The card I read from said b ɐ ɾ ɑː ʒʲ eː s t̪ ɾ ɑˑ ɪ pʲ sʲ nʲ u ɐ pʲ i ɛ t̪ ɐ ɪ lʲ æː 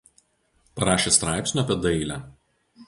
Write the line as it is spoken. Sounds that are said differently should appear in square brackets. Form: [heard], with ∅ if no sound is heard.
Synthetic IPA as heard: [p] ɐ ɾ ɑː [ʃʲ] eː s t̪ ɾ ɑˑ ɪ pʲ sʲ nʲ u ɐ pʲ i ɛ [d̪] ɐ ɪ lʲ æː